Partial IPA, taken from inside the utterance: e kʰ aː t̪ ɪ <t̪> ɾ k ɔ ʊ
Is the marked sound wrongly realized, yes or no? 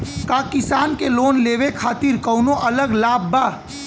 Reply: yes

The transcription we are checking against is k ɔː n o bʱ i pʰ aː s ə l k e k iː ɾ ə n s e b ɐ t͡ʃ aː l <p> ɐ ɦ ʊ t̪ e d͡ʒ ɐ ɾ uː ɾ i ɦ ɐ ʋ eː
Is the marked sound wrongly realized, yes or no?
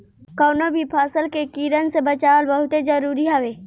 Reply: yes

